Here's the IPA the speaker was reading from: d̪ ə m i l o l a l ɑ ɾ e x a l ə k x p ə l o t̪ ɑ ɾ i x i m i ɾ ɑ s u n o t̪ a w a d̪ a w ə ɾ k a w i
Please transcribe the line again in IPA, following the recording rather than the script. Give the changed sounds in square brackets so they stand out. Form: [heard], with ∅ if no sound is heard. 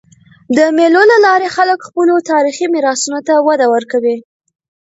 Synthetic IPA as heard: d̪ ə m [e] l o l a l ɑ ɾ e x a l ə k x p ə l o t̪ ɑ ɾ i x i m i ɾ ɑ s u n o t̪ a w a d̪ a w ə ɾ k a w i